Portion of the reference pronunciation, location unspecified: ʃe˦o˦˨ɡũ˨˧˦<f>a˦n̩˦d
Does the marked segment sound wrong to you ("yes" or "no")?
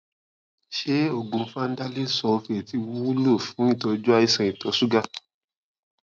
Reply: no